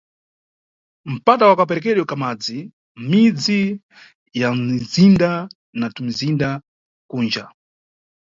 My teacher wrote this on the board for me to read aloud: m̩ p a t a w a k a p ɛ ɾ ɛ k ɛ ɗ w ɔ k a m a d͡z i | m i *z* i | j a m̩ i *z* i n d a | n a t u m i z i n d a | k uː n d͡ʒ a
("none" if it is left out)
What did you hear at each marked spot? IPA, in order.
d͡z, z

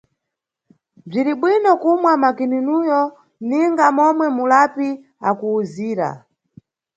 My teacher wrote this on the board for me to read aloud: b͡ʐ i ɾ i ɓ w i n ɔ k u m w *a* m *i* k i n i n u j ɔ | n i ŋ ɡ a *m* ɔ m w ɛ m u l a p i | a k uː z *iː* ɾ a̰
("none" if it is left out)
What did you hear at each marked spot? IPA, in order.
a, a, m, iː

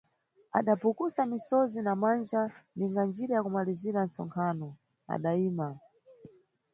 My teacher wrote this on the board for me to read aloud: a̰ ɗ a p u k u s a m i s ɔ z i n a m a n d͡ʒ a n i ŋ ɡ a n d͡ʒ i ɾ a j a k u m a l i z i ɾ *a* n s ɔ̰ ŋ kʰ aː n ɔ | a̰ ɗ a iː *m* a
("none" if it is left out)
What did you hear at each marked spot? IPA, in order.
a, m

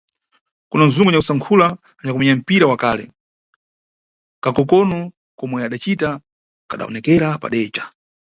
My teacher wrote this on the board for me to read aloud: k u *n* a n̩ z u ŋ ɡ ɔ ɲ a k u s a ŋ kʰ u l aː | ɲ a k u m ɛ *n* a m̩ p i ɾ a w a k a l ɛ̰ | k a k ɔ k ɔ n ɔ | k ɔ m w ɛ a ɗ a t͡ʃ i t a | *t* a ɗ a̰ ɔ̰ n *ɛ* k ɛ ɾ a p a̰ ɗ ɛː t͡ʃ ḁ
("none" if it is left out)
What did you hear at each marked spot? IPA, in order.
n, ɲ, k, ɛ

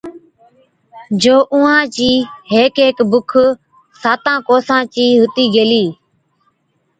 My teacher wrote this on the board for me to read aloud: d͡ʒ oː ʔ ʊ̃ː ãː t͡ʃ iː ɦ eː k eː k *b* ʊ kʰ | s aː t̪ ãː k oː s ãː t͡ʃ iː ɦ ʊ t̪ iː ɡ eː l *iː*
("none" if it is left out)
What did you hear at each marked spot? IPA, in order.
b, iː

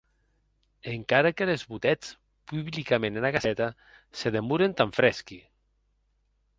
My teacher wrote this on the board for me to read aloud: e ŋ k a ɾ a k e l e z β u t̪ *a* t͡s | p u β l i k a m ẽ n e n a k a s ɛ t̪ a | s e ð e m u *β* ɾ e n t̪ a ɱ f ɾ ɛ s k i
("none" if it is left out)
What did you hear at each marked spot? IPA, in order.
ɛ, none

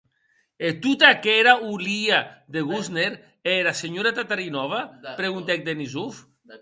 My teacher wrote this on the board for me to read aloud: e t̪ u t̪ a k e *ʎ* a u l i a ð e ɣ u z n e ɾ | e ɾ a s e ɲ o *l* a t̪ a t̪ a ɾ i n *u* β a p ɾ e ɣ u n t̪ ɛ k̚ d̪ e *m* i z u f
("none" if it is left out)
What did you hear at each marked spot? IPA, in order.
ɾ, ɾ, ɔ, n

